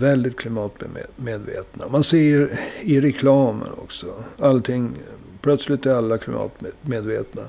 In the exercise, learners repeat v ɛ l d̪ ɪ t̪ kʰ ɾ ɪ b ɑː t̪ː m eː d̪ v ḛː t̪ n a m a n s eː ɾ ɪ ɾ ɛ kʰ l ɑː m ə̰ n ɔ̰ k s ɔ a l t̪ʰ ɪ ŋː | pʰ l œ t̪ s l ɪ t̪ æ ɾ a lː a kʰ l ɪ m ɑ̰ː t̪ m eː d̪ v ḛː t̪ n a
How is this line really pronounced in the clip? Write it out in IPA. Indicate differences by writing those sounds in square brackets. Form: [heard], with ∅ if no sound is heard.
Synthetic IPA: v ɛ l d̪ ɪ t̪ kʰ [l] ɪ [m] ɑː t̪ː m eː d̪ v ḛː t̪ n a m a n s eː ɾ ɪ ɾ ɛ kʰ l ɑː m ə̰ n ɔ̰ k s ɔ a l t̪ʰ ɪ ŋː | pʰ l œ t̪ s l ɪ t̪ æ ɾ a lː a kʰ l ɪ m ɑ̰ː t̪ m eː d̪ v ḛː t̪ n a